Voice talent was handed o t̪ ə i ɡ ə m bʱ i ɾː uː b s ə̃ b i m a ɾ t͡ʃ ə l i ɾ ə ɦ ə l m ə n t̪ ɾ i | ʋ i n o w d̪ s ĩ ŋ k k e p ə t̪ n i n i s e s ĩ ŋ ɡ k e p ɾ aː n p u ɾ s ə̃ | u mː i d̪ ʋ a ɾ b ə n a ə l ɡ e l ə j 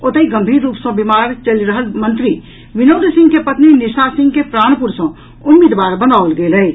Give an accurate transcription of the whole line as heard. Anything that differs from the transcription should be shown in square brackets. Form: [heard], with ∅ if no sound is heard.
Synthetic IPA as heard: o t̪ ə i ɡ ə m bʱ i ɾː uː [p] s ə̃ b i m a ɾ t͡ʃ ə l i ɾ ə ɦ ə l m ə n t̪ ɾ i | ʋ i n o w d̪ s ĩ ŋ [ɡ] k e p ə t̪ n i n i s [a] s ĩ ŋ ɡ k e p ɾ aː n p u ɾ s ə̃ | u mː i d̪ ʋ a ɾ b ə n a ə l ɡ e l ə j

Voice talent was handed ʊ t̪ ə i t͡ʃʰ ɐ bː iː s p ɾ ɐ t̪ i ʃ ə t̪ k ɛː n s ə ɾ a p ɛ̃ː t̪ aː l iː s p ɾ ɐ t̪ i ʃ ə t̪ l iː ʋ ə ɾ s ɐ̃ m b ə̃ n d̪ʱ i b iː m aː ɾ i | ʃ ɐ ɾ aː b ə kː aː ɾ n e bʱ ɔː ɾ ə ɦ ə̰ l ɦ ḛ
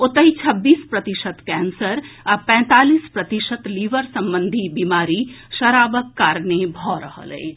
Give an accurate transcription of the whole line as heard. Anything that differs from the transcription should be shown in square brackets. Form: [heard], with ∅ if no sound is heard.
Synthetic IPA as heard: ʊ t̪ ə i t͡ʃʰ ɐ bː iː s p ɾ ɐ t̪ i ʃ ə t̪ k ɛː n s ə ɾ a p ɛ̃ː t̪ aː l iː s p ɾ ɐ t̪ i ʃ ə t̪ l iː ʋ ə ɾ s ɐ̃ m b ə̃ n d̪ʱ i b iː m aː ɾ i | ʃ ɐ ɾ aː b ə kː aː ɾ n e bʱ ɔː ɾ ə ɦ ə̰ l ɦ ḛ

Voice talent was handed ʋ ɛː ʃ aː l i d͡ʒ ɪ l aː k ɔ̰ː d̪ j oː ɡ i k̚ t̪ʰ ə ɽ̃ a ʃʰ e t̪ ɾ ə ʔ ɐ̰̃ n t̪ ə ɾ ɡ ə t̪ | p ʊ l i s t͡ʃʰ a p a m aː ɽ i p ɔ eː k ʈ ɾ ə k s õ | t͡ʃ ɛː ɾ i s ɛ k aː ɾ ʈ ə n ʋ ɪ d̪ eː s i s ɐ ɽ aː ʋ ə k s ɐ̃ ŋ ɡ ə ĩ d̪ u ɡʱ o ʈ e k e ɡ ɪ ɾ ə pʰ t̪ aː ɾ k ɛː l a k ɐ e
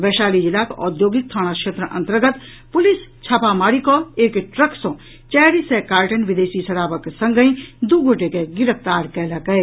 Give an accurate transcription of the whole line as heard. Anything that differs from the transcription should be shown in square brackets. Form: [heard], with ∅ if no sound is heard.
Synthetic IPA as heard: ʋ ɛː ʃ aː l i d͡ʒ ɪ l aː k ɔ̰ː d̪ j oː ɡ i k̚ t̪ʰ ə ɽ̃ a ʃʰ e t̪ ɾ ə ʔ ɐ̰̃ n t̪ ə ɾ ɡ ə t̪ | p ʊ l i s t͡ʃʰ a p a m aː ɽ i [k] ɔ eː k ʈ ɾ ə k s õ | t͡ʃ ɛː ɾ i s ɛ k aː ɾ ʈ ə n ʋ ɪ d̪ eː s i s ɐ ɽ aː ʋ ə k s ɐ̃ ŋ ɡ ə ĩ d̪ u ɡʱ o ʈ e k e ɡ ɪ ɾ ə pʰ t̪ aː ɾ k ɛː l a k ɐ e

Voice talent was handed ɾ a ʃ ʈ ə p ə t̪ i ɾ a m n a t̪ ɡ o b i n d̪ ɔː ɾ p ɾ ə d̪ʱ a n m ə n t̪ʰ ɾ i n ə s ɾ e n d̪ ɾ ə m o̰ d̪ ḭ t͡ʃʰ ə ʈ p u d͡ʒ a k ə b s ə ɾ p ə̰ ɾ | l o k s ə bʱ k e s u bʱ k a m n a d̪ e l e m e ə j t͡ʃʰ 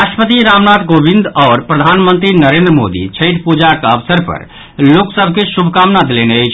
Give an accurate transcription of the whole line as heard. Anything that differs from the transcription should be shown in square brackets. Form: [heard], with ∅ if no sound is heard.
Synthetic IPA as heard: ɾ a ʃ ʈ ə p ə t̪ i ɾ a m n a t̪ ɡ o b i n d̪ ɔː ɾ p ɾ ə d̪ʱ a n m ə n [t̪] ɾ i n ə [∅] ɾ e n d̪ ɾ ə m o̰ d̪ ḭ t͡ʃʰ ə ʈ p u d͡ʒ a k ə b s ə ɾ p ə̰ ɾ | l o k s ə bʱ k e s u bʱ k a m n a d̪ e l e [n] e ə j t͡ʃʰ

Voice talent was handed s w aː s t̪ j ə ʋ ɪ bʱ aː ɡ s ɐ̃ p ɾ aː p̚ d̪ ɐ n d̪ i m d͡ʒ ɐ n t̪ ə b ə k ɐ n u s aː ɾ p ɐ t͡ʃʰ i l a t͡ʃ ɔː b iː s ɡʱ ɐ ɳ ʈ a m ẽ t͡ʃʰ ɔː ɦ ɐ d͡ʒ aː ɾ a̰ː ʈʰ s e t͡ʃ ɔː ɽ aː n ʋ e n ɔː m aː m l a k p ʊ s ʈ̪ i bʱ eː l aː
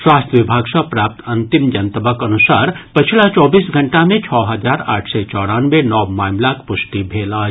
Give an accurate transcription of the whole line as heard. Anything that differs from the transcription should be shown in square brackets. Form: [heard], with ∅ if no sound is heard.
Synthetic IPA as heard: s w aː s t̪ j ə ʋ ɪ bʱ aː ɡ s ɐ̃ p ɾ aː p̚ [t̪] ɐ n [t̪] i m d͡ʒ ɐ n t̪ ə b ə k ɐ n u s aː ɾ p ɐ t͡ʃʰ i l a t͡ʃ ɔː b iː s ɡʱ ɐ ɳ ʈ a m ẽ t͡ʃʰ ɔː ɦ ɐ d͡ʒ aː ɾ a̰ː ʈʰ s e t͡ʃ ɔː ɽ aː n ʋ e n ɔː m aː m l a k p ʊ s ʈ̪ i bʱ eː l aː

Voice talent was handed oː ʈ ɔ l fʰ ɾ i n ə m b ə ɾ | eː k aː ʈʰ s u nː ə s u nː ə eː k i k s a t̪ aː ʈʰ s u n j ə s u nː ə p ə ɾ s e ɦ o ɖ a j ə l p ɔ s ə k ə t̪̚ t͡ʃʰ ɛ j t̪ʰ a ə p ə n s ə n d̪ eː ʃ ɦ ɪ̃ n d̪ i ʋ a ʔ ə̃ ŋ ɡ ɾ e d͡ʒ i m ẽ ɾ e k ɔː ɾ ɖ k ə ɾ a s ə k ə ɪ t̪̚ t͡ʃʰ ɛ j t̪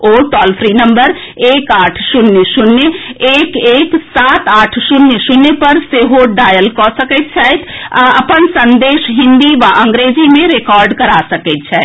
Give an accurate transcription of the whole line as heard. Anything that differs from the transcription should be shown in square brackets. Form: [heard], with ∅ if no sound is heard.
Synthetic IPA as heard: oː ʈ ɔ l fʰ ɾ i n ə m b ə ɾ | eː k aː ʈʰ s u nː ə s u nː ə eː k [e] k s a t̪ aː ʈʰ s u n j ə s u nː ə p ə ɾ s e ɦ o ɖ a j ə l [k] ɔ s ə k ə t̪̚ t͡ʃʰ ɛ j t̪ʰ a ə p ə n s ə n d̪ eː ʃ ɦ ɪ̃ n d̪ i ʋ a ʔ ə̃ ŋ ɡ ɾ e d͡ʒ i m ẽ ɾ e k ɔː ɾ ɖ k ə ɾ a s ə k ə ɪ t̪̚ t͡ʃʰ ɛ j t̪

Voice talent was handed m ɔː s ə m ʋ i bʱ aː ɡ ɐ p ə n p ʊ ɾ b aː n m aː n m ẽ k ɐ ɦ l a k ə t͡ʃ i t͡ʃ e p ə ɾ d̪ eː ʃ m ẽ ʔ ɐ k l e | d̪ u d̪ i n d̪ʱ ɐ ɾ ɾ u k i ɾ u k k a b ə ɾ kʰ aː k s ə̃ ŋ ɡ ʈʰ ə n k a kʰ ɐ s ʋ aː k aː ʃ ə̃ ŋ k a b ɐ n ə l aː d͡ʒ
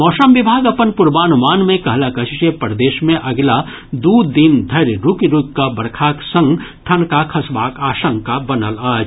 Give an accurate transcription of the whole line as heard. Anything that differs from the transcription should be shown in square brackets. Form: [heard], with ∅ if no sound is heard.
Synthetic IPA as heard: m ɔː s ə m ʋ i bʱ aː ɡ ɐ p ə n p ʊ ɾ b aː n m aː n m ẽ k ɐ ɦ l a k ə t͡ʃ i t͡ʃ e p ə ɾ d̪ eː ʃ m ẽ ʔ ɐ [ɡ] l [a] | d̪ u d̪ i n d̪ʱ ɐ ɾ ɾ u k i ɾ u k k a b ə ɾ kʰ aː k s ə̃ ŋ ɡ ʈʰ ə n k a kʰ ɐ s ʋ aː k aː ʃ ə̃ ŋ k a b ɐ n ə l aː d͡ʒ

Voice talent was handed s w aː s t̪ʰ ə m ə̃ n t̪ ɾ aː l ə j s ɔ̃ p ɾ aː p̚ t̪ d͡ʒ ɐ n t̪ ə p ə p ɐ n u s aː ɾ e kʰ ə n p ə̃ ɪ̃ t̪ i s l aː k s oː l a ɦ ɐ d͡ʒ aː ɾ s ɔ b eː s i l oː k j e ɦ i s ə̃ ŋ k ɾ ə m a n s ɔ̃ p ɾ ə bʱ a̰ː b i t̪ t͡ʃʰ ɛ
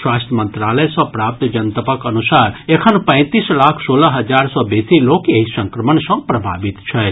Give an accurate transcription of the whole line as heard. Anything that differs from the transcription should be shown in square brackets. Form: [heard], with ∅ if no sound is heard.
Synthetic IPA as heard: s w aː s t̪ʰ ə m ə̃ n t̪ ɾ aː l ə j s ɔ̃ p ɾ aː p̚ t̪ d͡ʒ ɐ n t̪ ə p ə [k] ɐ n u s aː ɾ e kʰ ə n p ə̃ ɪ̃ t̪ i s l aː [kʰ] s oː l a ɦ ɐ d͡ʒ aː ɾ s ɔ b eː s i l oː k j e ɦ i s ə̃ ŋ k ɾ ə m [ə] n s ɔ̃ p ɾ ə bʱ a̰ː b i t̪ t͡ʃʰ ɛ

